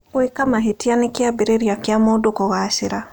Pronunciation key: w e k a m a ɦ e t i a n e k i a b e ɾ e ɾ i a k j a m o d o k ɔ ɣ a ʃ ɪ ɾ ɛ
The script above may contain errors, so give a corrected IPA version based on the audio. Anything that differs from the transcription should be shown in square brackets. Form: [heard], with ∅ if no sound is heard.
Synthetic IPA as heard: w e k a m a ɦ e t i a n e k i a b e ɾ e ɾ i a k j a m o d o k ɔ ɣ a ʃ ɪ ɾ [a]

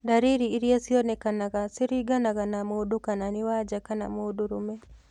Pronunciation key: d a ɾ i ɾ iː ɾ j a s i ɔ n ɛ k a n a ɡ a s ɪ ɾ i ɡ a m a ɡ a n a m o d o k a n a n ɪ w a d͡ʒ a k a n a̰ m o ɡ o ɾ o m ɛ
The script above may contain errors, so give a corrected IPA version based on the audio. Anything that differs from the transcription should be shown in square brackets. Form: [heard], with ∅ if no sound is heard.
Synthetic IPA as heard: d a ɾ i ɾ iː ɾ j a s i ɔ n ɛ k a n a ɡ a s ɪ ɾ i ɡ a [n] a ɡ a n a m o d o k a n a n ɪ w a d͡ʒ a k a n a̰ m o [d] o ɾ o m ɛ

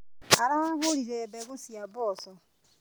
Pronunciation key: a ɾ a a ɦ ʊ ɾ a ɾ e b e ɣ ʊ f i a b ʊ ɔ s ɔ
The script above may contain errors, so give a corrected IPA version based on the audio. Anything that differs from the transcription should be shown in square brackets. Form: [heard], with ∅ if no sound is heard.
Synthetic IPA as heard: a ɾ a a ɦ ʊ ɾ [i] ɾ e b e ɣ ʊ [s] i a b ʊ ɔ s ɔ

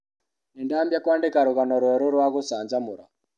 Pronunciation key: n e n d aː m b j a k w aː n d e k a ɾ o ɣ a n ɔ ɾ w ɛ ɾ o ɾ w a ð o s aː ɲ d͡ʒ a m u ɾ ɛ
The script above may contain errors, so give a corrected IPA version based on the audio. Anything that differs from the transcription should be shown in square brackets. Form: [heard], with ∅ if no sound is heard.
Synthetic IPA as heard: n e n d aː m b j a k w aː n d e k a ɾ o ɣ a n ɔ ɾ w ɛ ɾ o ɾ w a [ɣ] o s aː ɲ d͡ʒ a m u ɾ [a]

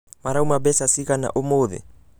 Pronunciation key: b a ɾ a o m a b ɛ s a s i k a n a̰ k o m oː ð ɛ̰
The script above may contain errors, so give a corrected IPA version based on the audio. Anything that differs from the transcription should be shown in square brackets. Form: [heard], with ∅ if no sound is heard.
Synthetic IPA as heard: [m] a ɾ a [u] m a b ɛ s a s i k a n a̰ [ʔ] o m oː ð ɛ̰

